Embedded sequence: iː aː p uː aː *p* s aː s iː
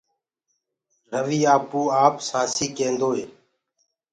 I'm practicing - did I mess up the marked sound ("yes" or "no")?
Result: no